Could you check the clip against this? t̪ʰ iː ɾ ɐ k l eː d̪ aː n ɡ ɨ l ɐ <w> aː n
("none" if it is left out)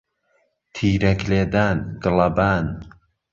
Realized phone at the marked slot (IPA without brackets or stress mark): b